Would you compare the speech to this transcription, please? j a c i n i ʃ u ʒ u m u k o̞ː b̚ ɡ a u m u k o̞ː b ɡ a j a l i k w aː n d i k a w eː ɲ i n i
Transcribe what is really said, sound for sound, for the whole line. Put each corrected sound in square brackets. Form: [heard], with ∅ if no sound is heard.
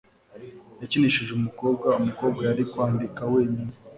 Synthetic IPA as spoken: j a c i n i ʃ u ʒ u m u k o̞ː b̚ ɡ a u m u k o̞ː b ɡ a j a [ɾ] i k w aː n d i k a w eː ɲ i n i